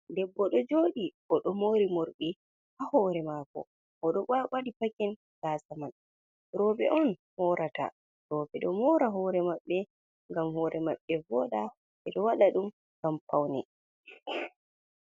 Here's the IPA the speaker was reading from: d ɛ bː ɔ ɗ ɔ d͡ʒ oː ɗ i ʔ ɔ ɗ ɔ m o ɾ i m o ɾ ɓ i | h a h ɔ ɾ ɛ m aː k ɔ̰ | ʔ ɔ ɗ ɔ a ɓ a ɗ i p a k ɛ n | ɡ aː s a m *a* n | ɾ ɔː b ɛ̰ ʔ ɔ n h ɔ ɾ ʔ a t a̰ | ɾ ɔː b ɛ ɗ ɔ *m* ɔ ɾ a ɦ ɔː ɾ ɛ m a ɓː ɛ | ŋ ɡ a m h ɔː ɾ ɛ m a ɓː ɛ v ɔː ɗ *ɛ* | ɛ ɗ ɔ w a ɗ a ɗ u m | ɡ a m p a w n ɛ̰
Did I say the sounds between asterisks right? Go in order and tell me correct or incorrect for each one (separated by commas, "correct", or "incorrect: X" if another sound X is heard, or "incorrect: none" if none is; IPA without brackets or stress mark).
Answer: correct, correct, incorrect: a